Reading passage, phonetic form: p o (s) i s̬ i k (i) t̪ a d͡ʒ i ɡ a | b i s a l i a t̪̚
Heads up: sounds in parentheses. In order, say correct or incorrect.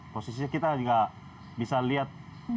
correct, correct

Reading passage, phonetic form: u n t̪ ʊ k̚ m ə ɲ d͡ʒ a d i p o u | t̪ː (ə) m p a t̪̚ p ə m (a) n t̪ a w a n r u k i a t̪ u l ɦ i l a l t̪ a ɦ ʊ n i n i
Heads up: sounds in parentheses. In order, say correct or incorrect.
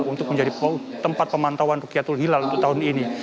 correct, correct

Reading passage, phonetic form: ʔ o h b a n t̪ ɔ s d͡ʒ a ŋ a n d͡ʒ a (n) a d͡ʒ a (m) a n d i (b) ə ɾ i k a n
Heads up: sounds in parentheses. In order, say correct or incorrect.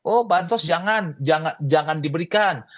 incorrect: ŋ, incorrect: ŋ, correct

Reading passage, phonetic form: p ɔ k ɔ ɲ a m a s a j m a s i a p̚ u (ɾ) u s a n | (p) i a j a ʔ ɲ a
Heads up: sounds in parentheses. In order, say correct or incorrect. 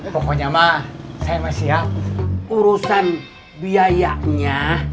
correct, incorrect: b

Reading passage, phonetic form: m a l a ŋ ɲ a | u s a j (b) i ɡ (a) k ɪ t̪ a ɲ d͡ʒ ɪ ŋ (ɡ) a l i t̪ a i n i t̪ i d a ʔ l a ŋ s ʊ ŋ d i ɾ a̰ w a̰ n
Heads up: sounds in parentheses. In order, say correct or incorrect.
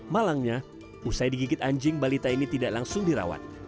incorrect: d, incorrect: i, incorrect: b

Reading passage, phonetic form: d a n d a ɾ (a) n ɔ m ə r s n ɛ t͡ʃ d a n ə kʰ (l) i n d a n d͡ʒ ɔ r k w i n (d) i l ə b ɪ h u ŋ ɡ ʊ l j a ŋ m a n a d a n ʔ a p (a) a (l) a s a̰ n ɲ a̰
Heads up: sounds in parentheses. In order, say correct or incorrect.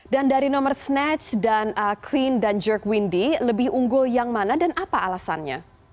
incorrect: i, correct, correct, correct, correct

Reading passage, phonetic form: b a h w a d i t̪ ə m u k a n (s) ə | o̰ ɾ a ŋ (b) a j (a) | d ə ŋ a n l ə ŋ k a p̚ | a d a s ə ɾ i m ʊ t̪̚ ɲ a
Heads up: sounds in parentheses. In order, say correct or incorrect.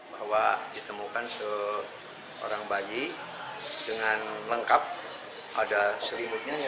correct, correct, incorrect: i

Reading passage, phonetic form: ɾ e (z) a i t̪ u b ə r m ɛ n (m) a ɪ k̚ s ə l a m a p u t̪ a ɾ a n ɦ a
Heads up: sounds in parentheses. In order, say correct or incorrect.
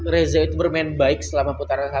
correct, incorrect: b

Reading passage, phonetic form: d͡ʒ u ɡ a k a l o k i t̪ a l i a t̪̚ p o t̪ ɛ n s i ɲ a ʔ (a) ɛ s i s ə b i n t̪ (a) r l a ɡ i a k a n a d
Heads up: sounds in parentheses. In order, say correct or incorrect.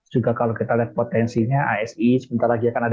correct, correct

